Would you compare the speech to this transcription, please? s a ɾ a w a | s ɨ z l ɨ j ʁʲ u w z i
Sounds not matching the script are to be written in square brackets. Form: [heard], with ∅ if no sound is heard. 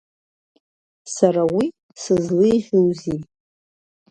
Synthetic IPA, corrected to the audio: s a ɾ a w [i] | s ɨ z l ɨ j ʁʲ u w z i